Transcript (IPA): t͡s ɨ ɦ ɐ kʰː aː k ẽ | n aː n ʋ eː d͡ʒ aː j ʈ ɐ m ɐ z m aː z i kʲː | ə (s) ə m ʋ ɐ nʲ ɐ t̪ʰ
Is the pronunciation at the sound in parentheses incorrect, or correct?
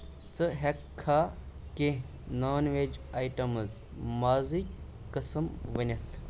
correct